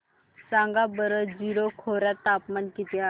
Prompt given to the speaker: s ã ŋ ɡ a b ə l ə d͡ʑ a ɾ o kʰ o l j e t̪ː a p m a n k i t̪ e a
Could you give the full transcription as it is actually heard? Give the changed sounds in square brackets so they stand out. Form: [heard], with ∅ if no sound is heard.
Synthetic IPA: s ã ŋ ɡ a b ə [ɾ] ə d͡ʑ [i] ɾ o kʰ o [ɾ] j [a] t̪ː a p m a n k i t̪ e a